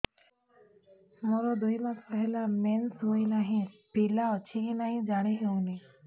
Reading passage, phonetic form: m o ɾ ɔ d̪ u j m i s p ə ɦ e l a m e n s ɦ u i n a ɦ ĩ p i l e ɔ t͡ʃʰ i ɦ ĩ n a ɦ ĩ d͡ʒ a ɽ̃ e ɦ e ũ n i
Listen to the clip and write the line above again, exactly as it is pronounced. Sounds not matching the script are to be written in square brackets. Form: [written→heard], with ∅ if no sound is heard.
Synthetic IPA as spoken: m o ɾ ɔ d̪ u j m [i→a] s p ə ɦ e l a m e n s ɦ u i n a ɦ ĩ p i l [e→a] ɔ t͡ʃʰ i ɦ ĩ n a ɦ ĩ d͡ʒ a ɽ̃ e ɦ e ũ n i